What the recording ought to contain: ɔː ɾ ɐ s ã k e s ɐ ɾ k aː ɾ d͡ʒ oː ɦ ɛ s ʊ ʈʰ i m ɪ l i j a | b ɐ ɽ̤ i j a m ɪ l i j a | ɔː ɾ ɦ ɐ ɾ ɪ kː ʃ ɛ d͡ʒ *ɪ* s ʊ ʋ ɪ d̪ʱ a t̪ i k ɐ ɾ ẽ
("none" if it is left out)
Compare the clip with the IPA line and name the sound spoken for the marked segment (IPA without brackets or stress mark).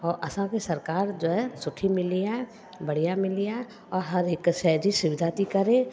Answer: i